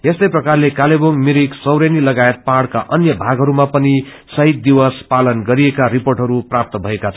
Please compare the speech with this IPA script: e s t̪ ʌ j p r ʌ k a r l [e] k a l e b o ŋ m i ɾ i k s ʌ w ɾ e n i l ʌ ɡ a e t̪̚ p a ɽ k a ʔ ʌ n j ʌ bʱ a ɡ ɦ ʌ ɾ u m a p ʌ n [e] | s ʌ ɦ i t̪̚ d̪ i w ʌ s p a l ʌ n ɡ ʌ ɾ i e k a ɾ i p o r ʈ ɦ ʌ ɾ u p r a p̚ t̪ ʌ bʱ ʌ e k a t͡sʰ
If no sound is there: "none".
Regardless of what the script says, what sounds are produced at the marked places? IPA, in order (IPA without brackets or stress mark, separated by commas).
e, i